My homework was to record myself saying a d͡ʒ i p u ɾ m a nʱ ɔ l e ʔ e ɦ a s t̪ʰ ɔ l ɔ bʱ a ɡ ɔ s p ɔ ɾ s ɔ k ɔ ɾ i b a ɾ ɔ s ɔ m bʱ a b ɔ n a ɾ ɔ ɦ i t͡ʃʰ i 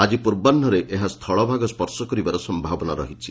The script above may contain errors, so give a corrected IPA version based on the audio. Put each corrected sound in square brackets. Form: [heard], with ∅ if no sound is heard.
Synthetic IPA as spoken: a d͡ʒ i p u ɾ [b] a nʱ ɔ [ɾ] e ʔ e ɦ a s t̪ʰ ɔ [ɭ] ɔ bʱ a ɡ ɔ s p ɔ ɾ s ɔ k ɔ ɾ i b a ɾ ɔ s ɔ m bʱ a b ɔ n a ɾ ɔ ɦ i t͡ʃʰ i